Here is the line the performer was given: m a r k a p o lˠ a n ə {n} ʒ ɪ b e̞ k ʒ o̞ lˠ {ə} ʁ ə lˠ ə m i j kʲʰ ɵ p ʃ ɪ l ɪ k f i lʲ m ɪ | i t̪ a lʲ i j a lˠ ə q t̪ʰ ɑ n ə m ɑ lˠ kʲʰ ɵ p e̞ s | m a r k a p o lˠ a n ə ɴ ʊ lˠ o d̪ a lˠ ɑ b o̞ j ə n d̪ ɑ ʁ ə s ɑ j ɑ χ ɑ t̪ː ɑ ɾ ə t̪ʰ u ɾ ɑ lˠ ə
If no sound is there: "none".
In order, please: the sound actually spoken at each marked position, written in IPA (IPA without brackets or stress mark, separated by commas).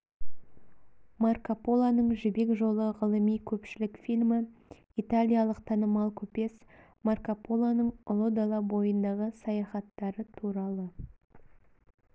ɴ, ə